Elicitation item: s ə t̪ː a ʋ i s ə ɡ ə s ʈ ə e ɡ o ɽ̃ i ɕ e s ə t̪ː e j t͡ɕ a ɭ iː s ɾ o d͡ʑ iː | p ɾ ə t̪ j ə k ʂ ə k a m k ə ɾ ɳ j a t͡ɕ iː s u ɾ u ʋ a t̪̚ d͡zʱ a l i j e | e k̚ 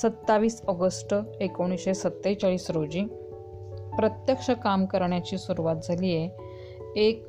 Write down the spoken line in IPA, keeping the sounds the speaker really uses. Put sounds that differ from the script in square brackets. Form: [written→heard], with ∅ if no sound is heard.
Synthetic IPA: s ə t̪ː a ʋ [i→iː] s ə ɡ ə s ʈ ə e [ɡ→k] o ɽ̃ i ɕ e s ə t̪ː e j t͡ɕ a ɭ iː s ɾ o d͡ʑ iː | p ɾ ə t̪ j ə k ʂ ə k a m k ə ɾ ɳ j a t͡ɕ iː s u ɾ u ʋ a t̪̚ d͡zʱ a l i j e | e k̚